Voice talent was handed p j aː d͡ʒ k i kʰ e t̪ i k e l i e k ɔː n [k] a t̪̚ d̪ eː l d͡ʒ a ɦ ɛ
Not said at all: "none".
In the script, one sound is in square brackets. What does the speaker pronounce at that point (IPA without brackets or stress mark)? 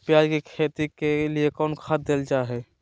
kʰ